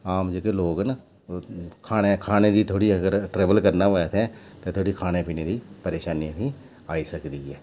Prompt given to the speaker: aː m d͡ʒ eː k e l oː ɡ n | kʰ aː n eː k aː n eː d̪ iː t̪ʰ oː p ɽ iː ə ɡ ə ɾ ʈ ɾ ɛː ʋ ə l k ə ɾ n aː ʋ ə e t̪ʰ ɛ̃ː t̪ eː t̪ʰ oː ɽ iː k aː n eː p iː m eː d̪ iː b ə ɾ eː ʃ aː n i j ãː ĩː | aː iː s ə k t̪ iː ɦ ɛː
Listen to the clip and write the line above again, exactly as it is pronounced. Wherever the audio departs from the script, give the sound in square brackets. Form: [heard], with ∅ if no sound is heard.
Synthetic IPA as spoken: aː m d͡ʒ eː k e l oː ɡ n | kʰ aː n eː [kʰ] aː n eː d̪ iː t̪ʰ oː [∅] ɽ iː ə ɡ ə ɾ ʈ ɾ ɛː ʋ ə l k ə ɾ n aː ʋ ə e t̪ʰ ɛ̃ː t̪ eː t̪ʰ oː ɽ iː [kʰ] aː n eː p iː [n] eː d̪ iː [p] ə ɾ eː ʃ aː n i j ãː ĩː | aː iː s ə k [d̪] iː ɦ ɛː